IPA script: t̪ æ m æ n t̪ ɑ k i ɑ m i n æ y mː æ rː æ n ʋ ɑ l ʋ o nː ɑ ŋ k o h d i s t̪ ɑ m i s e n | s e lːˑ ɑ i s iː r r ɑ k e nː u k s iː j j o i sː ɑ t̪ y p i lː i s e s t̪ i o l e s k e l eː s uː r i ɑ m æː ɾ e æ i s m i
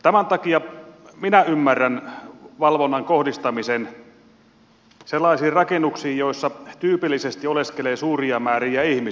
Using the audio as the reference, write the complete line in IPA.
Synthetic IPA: t̪ æ m æ n t̪ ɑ k i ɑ m i n æ y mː æ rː æ n ʋ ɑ l ʋ o nː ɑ ŋ k o h d i s t̪ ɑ m i s e n | s e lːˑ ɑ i s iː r r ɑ k e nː u k s iː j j o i sː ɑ t̪ yː p i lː i s e s t̪ i o l e s k e l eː s uː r i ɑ m æː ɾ i æ i h m i

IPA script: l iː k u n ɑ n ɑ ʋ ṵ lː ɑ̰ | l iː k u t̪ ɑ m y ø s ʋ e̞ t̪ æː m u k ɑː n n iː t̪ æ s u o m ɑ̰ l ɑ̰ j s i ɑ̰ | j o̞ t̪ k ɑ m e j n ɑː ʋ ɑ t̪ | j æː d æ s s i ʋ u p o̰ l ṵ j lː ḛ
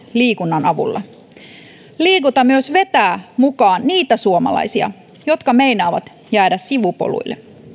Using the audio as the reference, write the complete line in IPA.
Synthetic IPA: l iː k u nː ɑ n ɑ ʋ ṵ lː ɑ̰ | l iː k u t̪ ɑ m y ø s ʋ e̞ t̪ æː m u k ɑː n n iː t̪ æ s u o m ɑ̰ l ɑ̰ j s i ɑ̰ | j o̞ t̪ k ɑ m e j n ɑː ʋ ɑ t̪ | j æː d æ s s i ʋ u p o̰ l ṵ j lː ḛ

